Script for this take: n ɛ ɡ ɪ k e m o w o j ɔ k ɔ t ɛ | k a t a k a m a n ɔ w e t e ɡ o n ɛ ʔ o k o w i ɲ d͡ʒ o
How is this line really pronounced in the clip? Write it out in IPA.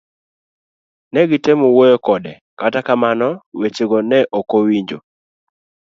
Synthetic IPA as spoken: n ɛ ɡ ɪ t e m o w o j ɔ k ɔ d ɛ | k a t a k a m a n ɔ w e t͡ʃ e ɡ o n ɛ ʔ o k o w i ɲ d͡ʒ o